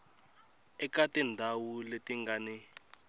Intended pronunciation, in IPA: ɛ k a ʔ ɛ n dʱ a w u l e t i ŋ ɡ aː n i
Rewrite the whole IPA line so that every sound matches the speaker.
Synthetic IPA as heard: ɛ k a t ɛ n dʱ a w u l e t i ŋ ɡ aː n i

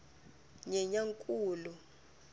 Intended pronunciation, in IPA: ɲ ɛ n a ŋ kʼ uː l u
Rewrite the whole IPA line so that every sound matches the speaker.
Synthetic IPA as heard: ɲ ɛ ɲ a ŋ kʼ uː l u

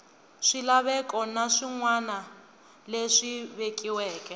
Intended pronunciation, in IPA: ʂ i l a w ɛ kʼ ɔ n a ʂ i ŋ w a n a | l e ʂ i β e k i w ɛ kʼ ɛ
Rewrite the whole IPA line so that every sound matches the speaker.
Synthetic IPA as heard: ʂ i l a β ɛ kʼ ɔ n a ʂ i ŋ w a n a | l e ʂ i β e k i w ɛː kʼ ɛ

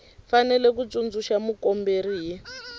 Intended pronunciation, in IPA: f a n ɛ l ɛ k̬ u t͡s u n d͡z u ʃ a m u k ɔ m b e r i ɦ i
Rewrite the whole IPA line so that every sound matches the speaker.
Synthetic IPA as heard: f a n ɛ l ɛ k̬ u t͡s u n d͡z u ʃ a m u k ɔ m b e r i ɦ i

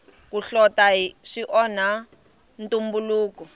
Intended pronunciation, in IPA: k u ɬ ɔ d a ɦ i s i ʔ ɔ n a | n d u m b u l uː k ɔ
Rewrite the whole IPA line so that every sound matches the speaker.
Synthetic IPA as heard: k u ɬ ɔ t a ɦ i ʂ i ʔ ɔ n a | n t u m b u l uː k ɔ

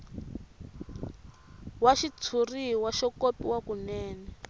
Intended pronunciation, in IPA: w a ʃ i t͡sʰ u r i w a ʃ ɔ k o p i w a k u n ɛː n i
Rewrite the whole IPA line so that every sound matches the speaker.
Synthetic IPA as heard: w a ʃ i t͡sʰ u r i w a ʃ ɔ k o p i w a k u n ɛː n ɛ

